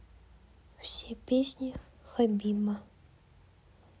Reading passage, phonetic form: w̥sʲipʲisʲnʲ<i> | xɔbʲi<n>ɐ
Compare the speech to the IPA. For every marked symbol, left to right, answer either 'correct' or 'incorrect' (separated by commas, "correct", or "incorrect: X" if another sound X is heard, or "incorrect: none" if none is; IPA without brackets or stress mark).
correct, incorrect: m